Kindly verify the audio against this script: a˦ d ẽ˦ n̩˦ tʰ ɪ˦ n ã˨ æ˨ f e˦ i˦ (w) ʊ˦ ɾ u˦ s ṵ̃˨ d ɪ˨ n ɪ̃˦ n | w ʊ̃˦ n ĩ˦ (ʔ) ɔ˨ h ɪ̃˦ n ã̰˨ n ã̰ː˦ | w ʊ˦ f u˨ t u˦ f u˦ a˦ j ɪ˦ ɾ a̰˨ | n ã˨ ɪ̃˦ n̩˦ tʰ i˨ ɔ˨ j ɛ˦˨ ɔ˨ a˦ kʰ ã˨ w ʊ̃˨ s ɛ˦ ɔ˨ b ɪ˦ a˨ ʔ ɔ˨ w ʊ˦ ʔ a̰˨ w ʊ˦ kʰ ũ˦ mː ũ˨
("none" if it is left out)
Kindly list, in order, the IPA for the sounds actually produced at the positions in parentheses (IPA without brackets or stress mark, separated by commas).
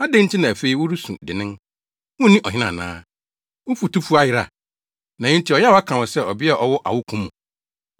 w, ʔ